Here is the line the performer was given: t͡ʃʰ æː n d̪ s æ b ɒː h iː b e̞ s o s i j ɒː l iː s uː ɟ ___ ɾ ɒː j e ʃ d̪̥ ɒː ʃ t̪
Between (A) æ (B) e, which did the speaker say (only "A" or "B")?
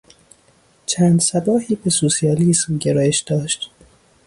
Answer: B